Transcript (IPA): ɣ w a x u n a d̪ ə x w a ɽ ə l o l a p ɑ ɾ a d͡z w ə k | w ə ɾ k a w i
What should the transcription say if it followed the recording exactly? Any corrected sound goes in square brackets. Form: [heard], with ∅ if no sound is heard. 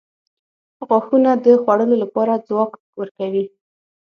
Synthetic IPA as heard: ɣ w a x u n a d̪ ə x w a ɽ ə l o l a p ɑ ɾ a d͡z w [ɑ] k | w ə ɾ k a w i